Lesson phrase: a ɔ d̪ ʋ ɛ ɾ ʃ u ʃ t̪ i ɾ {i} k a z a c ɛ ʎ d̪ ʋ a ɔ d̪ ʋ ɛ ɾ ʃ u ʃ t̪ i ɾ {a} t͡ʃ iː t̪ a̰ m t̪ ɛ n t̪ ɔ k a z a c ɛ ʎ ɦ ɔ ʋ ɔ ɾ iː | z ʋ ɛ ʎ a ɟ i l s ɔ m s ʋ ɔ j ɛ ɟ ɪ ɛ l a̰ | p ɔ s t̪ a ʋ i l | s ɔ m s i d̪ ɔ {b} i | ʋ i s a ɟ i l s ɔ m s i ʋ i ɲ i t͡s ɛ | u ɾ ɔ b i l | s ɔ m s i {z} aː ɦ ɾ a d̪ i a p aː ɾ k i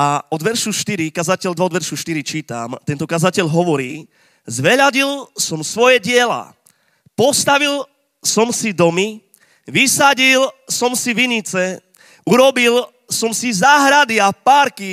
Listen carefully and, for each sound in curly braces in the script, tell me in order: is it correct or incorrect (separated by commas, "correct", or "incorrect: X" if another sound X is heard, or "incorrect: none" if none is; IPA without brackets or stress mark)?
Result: correct, incorrect: i, incorrect: m, correct